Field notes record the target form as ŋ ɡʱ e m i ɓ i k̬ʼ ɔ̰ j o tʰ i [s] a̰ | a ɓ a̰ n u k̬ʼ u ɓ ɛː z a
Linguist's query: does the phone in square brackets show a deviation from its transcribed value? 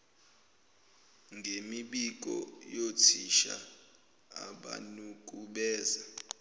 yes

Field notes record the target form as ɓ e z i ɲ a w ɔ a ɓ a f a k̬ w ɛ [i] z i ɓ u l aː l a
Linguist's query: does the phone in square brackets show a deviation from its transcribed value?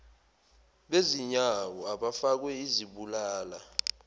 no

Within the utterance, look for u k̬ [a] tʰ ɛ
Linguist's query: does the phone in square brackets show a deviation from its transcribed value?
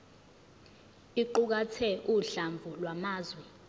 no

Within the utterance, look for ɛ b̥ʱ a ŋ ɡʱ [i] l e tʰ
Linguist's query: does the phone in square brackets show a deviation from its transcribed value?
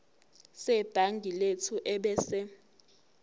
no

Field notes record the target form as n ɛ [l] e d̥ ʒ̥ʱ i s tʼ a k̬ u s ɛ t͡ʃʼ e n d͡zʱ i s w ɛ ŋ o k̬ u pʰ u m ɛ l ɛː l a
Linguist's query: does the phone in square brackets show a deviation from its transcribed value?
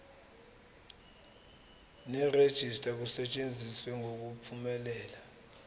yes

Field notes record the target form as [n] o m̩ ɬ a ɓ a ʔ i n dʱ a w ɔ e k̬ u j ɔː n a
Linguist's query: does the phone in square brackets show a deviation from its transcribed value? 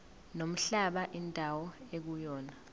no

